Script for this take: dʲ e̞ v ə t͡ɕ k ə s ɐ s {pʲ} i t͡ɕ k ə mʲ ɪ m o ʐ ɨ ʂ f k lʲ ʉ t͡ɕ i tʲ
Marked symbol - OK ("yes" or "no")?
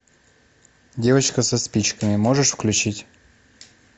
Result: yes